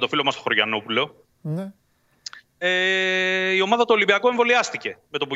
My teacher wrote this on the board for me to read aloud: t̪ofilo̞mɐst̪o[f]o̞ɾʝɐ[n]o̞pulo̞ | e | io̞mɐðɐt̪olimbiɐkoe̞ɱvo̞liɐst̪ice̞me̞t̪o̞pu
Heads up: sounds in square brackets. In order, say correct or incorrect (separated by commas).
incorrect, correct